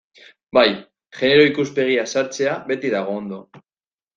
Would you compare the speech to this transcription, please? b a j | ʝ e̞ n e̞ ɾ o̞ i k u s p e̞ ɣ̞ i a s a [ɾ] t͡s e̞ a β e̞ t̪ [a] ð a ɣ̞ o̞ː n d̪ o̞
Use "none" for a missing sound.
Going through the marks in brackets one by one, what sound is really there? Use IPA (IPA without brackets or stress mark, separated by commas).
ɾ, i